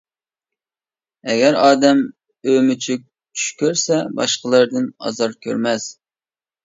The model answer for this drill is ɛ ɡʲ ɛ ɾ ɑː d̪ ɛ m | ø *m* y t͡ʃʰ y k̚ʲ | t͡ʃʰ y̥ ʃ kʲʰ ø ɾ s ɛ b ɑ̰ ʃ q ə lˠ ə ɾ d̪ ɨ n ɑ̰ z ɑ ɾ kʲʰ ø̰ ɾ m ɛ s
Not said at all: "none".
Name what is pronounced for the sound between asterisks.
m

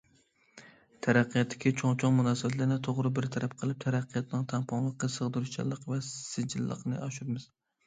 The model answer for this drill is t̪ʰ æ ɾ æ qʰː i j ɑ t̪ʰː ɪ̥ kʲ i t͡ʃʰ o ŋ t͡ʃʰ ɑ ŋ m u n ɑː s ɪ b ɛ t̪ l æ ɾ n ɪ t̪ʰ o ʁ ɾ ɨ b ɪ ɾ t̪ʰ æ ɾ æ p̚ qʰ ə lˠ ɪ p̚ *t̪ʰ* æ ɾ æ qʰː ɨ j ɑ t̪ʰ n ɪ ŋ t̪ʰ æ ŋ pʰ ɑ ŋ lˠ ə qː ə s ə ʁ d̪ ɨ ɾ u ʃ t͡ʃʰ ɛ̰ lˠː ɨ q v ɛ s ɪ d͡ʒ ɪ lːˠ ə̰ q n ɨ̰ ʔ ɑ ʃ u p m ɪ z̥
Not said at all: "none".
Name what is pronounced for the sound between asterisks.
t̪ʰ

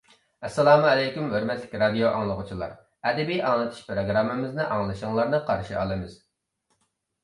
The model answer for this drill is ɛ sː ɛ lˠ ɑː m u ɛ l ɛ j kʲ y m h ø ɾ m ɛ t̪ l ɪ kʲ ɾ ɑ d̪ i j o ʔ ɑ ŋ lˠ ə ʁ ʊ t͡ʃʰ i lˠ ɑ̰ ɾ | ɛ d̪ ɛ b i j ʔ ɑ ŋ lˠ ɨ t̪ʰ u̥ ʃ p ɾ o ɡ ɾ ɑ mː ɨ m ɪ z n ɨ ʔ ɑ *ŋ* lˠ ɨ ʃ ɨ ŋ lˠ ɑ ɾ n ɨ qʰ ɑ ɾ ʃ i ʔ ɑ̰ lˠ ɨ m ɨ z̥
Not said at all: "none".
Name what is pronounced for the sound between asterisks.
ŋ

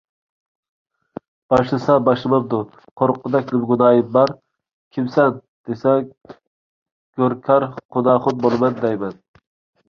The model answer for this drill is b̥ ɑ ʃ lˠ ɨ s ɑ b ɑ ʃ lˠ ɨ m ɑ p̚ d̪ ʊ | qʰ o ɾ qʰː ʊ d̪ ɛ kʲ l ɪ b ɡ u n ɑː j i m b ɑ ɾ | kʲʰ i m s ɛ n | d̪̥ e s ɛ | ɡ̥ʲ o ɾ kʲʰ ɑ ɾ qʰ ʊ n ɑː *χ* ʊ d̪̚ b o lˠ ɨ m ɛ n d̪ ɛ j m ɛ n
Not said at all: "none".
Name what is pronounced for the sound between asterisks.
χ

